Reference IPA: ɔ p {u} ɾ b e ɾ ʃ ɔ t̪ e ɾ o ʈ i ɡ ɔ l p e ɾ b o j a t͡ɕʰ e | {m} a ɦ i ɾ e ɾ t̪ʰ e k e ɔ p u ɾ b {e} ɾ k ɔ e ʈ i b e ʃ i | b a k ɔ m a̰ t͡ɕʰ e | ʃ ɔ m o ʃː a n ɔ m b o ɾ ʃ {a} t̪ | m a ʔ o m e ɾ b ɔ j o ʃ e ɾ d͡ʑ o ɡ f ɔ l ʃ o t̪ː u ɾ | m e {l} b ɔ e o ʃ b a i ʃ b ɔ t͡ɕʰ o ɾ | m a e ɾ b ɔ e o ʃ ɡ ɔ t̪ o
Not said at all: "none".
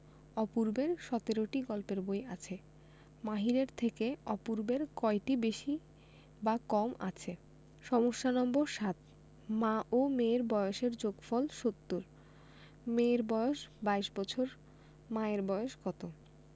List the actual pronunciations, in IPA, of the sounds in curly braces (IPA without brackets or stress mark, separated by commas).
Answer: u, m, e, a, ɾ